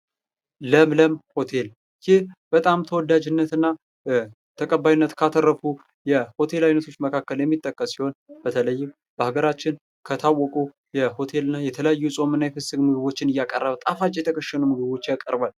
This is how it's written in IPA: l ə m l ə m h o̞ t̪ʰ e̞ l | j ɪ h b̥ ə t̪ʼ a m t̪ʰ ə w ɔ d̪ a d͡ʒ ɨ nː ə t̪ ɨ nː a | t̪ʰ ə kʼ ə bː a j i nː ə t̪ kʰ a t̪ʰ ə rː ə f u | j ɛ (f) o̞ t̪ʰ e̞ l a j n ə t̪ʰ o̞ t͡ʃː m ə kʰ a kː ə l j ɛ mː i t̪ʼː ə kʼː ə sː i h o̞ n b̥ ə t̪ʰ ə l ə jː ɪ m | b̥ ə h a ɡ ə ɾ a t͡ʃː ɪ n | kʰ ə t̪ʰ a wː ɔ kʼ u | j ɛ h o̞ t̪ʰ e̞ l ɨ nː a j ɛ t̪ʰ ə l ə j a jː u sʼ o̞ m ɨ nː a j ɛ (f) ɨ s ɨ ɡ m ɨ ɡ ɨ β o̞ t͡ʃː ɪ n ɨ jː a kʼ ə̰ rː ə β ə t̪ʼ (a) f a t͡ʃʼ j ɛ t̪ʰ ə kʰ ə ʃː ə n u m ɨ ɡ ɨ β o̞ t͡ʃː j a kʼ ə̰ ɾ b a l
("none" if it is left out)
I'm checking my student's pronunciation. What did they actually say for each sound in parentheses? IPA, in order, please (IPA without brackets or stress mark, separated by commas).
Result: h, f, a